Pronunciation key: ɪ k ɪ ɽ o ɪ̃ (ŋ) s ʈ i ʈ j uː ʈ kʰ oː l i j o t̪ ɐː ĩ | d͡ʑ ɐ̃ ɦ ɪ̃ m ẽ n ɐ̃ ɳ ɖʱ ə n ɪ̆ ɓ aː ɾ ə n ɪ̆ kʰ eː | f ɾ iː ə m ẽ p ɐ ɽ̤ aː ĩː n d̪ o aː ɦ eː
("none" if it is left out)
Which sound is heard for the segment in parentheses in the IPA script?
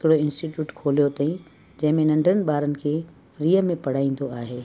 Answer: n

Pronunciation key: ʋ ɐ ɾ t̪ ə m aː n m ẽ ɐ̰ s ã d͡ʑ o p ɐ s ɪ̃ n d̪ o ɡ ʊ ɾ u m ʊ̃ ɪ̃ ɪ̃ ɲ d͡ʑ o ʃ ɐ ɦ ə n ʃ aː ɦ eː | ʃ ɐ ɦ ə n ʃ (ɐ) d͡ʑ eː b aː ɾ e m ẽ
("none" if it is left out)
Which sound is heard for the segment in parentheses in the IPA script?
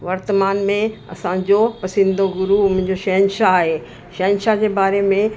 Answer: a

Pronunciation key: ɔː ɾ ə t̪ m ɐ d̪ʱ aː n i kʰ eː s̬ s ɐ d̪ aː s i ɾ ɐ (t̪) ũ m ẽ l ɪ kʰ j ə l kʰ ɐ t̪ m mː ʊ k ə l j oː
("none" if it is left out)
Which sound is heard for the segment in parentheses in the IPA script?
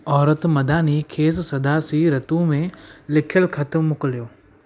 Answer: t̪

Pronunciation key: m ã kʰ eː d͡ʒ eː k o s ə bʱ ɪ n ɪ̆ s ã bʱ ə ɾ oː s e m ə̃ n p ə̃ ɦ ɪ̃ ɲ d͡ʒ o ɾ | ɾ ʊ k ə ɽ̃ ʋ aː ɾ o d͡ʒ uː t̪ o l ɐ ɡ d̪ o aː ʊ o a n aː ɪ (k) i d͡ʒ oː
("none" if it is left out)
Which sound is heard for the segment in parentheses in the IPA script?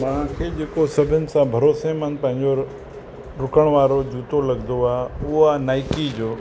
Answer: k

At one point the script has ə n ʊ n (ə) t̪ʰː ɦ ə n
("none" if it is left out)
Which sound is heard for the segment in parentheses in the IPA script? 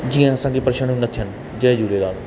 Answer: ə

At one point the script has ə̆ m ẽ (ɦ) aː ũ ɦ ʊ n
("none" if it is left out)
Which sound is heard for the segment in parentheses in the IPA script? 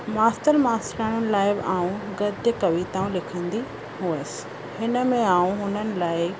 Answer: none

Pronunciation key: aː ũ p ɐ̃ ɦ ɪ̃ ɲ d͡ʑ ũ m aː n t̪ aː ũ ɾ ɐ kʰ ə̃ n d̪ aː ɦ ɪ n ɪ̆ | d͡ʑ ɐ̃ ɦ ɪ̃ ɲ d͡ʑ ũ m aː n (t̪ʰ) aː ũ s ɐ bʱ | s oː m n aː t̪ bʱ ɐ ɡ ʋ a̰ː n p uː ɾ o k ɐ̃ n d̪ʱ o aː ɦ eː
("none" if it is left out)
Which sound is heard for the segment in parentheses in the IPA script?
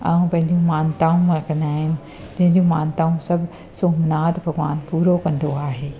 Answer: t̪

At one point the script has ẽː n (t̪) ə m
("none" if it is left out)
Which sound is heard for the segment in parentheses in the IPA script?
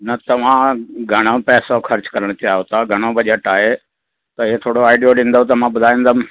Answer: d̪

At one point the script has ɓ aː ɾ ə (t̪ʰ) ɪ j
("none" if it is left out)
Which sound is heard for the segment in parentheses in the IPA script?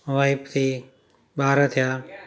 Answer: t̪ʰ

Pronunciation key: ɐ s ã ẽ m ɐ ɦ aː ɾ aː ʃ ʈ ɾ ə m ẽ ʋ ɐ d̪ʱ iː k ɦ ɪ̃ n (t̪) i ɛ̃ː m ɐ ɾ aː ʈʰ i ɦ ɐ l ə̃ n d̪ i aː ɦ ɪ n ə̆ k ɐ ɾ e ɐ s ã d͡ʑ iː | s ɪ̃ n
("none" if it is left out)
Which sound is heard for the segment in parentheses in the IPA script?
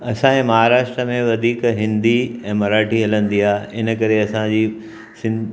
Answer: d̪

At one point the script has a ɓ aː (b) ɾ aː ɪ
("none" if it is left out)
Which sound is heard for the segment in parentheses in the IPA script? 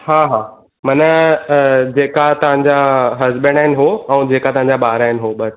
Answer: none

